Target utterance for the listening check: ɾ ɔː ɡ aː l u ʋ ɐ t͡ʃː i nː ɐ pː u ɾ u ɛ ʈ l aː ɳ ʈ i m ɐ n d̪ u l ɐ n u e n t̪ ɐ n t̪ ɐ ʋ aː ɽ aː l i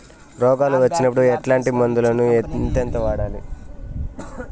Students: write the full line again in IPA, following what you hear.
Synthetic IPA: ɾ ɔː ɡ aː l u ʋ ɐ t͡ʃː i n ɐ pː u ɽ u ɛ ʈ l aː ɳ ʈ i m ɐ n d̪ u l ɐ n u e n t̪ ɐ n t̪ ɐ ʋ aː ɽ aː l i